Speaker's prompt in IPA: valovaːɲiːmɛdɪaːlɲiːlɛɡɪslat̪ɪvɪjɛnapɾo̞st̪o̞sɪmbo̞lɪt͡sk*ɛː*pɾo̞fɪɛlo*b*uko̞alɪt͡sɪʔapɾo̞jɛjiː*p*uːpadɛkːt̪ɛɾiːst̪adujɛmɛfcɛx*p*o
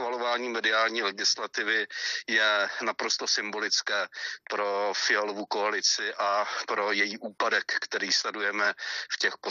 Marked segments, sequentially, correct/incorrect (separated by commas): correct, incorrect, incorrect, correct